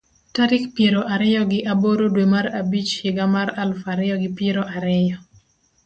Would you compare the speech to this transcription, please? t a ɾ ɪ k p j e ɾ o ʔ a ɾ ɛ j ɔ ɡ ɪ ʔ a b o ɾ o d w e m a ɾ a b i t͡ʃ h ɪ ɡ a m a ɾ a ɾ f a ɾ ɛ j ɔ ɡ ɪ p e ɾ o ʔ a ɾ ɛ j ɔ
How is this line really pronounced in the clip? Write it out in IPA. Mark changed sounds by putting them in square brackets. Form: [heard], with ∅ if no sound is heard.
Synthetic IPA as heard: t a ɾ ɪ k p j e ɾ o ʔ a ɾ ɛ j ɔ ɡ ɪ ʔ a b o ɾ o d w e m a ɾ a b i t͡ʃ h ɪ ɡ a m a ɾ a [l] f a ɾ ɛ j ɔ ɡ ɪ p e ɾ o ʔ a ɾ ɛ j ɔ